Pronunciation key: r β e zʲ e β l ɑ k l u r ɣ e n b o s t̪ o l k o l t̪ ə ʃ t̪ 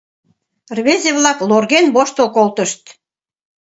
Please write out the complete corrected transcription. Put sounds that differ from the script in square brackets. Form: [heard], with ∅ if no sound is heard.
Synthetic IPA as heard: r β e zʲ e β l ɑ k l [o] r ɣ e n b o [ʃ] t̪ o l k o l t̪ ə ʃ t̪